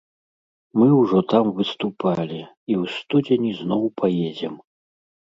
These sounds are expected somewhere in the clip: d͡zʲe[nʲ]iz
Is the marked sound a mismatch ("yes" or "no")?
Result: no